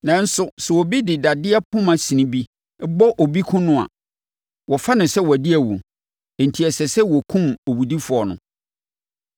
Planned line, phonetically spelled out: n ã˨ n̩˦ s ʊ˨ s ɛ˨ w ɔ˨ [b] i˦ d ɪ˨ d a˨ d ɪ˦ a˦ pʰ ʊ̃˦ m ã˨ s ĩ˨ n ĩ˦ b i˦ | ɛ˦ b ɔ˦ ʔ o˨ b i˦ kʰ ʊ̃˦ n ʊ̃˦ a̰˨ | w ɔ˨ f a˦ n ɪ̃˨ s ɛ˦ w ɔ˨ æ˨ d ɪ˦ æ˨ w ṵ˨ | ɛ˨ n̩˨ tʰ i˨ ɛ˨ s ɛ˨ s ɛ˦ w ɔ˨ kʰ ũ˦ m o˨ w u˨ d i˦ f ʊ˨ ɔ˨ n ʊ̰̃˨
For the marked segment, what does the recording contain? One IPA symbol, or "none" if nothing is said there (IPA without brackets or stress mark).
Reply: b